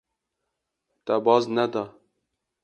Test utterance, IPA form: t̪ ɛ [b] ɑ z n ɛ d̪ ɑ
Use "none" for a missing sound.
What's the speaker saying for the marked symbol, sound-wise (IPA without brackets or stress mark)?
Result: b